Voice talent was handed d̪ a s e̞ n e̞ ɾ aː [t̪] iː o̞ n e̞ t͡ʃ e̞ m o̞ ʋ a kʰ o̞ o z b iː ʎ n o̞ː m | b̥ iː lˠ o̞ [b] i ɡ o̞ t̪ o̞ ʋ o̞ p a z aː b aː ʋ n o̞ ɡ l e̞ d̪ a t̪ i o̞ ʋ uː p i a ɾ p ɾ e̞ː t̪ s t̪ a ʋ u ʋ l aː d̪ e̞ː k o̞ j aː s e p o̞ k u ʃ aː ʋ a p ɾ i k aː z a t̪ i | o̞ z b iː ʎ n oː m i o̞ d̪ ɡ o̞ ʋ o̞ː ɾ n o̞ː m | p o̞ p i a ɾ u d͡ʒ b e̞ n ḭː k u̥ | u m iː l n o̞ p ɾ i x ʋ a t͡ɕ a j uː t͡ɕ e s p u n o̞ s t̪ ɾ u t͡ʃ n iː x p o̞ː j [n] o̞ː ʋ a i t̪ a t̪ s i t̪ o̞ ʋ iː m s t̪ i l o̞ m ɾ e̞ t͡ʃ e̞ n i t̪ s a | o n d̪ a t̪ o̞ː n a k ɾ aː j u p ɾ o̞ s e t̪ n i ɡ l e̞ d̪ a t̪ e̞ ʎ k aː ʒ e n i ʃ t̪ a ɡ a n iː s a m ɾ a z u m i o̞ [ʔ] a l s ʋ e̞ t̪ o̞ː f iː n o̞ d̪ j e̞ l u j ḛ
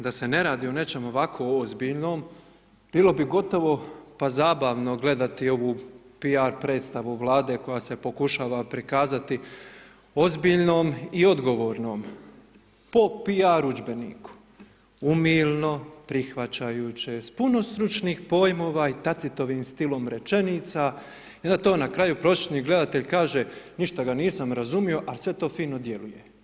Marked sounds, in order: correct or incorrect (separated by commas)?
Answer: incorrect, correct, incorrect, correct